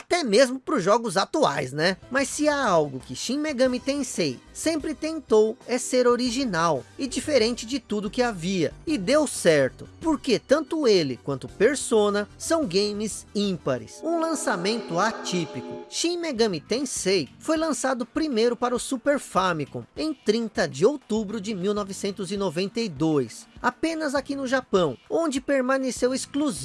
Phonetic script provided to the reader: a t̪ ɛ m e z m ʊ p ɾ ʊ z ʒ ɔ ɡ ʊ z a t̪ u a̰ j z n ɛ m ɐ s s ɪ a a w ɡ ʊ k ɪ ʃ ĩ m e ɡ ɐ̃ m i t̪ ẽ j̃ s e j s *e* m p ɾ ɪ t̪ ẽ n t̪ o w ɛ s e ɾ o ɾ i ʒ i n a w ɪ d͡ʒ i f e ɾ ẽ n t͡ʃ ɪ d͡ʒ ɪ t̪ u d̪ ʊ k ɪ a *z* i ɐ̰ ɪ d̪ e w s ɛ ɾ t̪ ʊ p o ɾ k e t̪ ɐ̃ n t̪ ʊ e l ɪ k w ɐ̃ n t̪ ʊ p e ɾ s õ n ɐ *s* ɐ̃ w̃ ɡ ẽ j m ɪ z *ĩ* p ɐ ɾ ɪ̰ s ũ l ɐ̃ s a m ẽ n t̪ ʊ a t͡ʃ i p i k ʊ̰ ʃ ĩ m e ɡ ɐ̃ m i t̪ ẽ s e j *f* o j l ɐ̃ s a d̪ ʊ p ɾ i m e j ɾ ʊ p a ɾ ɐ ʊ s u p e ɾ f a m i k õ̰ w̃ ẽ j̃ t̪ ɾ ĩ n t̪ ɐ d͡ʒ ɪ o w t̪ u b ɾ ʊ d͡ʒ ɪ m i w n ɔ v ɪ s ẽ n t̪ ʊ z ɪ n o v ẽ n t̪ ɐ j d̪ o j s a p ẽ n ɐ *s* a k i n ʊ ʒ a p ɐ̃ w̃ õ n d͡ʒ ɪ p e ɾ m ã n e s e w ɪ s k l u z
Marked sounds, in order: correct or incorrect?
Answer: incorrect, incorrect, correct, correct, correct, incorrect

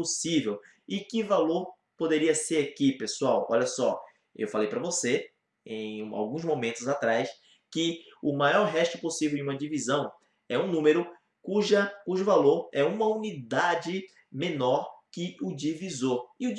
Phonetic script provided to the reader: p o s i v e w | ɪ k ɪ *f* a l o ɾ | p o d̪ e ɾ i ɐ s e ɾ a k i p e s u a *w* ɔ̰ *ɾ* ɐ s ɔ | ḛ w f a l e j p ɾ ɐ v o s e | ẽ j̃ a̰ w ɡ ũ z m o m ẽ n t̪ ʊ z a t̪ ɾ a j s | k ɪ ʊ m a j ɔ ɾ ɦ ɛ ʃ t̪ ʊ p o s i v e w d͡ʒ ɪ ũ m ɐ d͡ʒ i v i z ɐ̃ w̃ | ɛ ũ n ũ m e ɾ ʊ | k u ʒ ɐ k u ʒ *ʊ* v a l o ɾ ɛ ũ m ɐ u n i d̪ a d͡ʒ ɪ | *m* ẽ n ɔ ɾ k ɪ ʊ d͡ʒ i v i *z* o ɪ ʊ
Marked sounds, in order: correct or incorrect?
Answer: incorrect, correct, incorrect, correct, correct, correct

